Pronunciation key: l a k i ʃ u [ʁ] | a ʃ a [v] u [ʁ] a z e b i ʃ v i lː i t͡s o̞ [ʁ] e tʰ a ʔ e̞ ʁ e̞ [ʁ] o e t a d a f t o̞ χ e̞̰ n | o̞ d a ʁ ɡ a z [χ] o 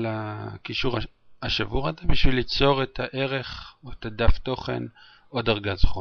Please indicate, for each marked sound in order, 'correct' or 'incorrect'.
correct, correct, correct, correct, incorrect: χ, correct

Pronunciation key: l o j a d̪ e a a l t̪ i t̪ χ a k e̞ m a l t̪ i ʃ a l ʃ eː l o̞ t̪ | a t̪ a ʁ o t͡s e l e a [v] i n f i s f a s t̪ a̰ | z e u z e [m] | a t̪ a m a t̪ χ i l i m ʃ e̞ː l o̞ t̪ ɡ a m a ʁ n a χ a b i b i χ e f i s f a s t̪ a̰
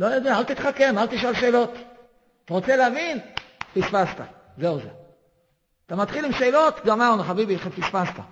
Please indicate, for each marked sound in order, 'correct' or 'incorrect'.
correct, incorrect: none

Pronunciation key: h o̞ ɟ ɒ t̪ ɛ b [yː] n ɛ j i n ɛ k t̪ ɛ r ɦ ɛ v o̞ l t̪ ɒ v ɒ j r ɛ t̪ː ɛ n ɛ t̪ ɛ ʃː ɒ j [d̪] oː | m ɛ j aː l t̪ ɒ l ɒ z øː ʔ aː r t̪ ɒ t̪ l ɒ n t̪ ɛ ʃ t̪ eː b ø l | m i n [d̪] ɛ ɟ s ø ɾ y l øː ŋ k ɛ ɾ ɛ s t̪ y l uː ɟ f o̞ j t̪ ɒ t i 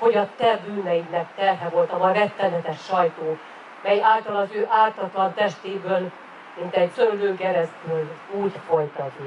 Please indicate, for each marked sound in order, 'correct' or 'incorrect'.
correct, incorrect: t̪, incorrect: t̪

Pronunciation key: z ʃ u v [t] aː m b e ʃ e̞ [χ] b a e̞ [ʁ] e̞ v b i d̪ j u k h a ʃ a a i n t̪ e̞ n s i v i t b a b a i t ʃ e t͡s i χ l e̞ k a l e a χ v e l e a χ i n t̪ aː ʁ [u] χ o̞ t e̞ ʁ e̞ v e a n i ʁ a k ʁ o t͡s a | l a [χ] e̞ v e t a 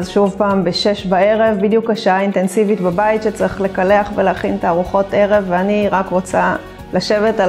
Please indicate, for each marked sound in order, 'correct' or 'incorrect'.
incorrect: p, incorrect: ʃ, correct, correct, incorrect: ʃ

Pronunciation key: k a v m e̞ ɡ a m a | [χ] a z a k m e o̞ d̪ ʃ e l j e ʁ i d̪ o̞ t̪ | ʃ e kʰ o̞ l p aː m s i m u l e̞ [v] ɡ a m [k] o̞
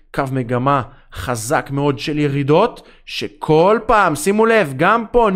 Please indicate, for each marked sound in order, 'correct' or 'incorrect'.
correct, correct, incorrect: p

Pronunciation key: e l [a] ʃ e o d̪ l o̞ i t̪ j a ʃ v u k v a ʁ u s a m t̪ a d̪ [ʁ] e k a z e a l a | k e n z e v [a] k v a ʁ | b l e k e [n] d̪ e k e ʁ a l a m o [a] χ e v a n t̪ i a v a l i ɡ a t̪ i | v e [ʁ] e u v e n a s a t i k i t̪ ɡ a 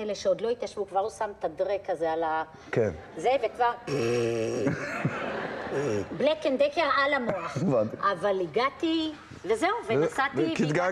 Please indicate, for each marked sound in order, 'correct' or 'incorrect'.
incorrect: e, correct, incorrect: e, correct, correct, incorrect: z

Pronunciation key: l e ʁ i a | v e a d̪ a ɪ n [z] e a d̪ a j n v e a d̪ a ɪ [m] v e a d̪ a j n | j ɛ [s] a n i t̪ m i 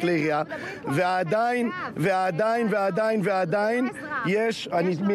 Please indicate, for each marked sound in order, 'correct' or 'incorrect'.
incorrect: v, incorrect: n, incorrect: ʃ

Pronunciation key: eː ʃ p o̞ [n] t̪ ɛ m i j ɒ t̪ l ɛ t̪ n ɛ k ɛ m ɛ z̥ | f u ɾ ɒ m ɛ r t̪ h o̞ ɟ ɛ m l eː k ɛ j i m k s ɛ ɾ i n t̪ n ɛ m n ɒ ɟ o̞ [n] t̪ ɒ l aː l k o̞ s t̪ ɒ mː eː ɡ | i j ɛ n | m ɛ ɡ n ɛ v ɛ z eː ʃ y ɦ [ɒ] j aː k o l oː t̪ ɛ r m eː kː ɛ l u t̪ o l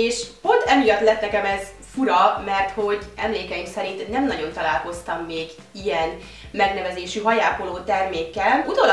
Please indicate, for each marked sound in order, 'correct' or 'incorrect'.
correct, correct, correct

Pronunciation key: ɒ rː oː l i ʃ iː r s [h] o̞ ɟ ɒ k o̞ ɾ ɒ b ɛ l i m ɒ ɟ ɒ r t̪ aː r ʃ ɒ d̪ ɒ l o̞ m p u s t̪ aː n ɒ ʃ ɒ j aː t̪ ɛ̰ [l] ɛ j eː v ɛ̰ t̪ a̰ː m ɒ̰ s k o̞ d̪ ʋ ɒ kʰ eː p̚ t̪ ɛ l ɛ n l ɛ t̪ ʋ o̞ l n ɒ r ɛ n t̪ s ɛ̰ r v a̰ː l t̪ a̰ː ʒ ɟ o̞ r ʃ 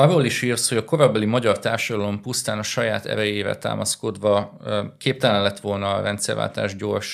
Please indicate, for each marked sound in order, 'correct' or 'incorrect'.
correct, incorrect: ɾ

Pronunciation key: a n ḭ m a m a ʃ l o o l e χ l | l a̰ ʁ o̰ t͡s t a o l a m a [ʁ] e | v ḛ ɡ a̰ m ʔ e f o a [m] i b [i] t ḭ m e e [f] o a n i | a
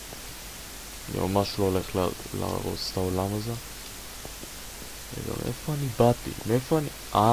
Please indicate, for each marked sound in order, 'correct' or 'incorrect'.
incorrect: z, incorrect: n, incorrect: a, correct

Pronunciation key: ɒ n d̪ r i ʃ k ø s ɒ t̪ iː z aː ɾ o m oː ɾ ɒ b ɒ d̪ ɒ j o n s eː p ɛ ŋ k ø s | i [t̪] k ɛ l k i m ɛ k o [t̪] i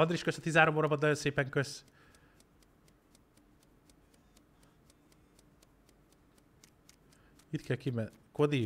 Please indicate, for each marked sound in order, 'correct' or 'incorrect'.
correct, incorrect: d̪

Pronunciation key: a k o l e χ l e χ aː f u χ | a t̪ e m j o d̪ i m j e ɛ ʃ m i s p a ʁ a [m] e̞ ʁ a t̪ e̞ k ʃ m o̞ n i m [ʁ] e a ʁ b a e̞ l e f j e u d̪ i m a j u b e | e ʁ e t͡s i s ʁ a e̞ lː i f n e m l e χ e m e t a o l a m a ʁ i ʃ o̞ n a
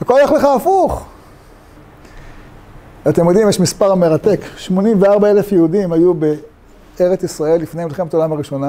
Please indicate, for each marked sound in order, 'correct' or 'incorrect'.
correct, incorrect: v

